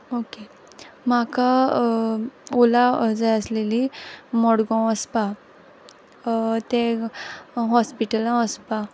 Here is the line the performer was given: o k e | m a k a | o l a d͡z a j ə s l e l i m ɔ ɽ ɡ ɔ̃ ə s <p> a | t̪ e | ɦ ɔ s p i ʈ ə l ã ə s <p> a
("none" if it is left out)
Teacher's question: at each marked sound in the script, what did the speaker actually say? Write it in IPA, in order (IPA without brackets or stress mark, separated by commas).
p, p